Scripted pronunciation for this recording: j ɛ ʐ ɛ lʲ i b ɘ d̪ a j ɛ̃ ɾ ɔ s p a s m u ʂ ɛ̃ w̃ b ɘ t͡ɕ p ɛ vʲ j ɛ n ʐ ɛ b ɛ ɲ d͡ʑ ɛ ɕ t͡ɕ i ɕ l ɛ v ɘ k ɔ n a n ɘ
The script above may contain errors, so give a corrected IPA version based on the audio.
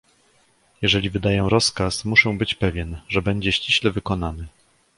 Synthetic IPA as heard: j ɛ ʐ ɛ lʲ i v ɘ d̪ a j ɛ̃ ɾ ɔ s k a s m u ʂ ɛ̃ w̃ b ɘ t͡ɕ p ɛ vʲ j ɛ n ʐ ɛ b ɛ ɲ d͡ʑ ɛ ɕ t͡ɕ i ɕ l ɛ v ɘ k ɔ n a n ɘ